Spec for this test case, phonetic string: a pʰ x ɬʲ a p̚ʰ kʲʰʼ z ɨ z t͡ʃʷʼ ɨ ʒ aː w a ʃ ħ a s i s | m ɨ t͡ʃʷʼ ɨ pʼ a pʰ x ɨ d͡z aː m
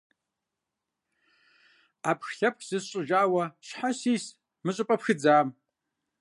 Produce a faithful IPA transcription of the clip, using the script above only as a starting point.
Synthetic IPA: a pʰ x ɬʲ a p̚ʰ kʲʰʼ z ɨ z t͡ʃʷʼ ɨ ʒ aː w a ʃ ħ a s i s | m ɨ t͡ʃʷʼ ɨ pʼ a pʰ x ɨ d͡z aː m